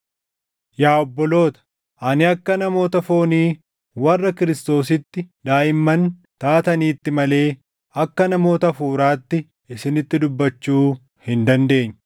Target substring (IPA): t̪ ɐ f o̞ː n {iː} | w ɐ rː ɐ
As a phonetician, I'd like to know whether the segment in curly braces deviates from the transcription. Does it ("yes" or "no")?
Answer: no